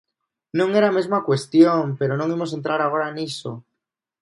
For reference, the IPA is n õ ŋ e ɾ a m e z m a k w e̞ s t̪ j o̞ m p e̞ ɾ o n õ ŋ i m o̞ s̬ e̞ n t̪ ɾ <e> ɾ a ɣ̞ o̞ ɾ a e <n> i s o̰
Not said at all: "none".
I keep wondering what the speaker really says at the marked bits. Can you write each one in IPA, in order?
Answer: a, n

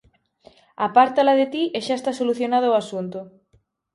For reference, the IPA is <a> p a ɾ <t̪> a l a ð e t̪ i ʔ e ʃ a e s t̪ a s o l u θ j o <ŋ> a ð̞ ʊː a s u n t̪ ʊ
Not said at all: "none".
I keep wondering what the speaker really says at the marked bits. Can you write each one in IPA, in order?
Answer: a, t̪, n

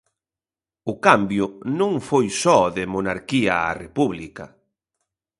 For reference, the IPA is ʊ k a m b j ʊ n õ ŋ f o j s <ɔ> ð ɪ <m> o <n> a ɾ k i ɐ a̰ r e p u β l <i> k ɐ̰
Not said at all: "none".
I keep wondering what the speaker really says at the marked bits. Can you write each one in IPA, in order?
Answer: ɔ, m, n, i

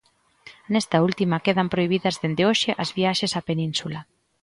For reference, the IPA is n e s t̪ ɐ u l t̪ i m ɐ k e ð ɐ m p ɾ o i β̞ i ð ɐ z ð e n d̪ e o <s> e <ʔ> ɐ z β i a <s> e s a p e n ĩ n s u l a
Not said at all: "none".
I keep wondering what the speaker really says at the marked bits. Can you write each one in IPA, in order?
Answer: ʃ, ʔ, ʃ

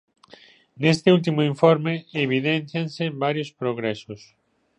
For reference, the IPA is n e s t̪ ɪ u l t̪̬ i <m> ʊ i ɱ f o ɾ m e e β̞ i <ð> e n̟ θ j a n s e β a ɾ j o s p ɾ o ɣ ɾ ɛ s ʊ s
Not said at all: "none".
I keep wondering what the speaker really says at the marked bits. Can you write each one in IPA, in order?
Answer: m, ð

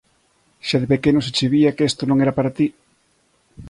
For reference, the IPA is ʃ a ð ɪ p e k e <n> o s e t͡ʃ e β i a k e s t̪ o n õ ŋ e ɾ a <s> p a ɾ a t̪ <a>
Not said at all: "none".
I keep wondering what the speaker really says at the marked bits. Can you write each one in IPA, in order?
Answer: n, none, i

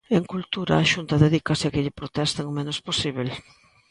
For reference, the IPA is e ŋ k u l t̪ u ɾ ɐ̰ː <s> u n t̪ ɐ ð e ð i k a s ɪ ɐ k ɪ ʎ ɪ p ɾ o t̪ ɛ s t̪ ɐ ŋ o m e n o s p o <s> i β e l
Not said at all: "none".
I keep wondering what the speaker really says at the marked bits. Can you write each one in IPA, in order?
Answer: ʃ, s

